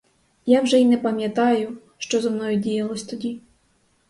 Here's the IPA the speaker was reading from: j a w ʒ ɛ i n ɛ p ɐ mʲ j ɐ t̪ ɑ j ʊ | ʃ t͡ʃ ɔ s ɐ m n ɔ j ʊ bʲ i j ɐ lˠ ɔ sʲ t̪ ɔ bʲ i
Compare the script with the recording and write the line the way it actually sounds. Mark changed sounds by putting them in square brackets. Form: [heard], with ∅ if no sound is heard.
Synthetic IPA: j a w ʒ ɛ i n ɛ p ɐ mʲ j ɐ t̪ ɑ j ʊ | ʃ t͡ʃ ɔ [z] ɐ m n ɔ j ʊ [dʲ] i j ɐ lˠ ɔ sʲ t̪ ɔ [dʲ] i